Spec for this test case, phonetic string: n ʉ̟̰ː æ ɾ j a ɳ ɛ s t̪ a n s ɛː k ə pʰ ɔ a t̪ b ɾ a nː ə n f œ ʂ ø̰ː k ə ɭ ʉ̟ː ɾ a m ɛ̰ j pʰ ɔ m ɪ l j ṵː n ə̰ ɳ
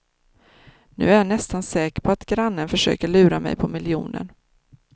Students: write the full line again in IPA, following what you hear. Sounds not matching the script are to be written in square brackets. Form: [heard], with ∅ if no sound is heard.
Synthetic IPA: n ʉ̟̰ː æ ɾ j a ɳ ɛ s t̪ a n s ɛː k ə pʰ ɔ a t̪ [ɡ] ɾ a nː ə n f œ ʂ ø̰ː k ə ɭ ʉ̟ː ɾ a m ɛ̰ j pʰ ɔ m ɪ l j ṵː n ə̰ ɳ